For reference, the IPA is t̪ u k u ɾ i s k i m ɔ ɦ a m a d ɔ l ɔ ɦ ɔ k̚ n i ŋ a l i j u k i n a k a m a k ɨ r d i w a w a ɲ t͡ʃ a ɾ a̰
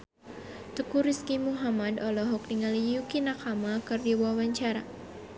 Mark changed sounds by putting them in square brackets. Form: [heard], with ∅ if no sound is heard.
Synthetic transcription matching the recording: t̪ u k u ɾ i s k i m [u] ɦ a m a d ɔ l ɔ ɦ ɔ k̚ n i ŋ a l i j u k i n a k a m a k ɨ r d i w a w a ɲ t͡ʃ a ɾ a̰